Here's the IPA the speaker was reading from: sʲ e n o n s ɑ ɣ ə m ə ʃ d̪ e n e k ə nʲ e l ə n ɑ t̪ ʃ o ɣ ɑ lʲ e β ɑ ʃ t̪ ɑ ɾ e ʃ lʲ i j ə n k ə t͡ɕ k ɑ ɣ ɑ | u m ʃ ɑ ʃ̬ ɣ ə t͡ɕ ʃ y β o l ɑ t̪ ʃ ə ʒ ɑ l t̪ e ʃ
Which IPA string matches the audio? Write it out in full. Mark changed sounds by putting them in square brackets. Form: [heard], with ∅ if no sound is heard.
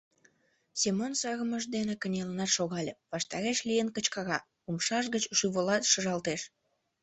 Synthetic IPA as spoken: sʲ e [m] o n s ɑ ɣ ə m ə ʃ d̪ e n e k ə nʲ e l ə n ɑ t̪ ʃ o ɣ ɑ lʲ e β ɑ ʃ t̪ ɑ ɾ e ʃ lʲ i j ə n k ə t͡ɕ k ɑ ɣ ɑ | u m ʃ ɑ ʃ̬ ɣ ə t͡ɕ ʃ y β o l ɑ t̪ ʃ ə ʒ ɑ l t̪ e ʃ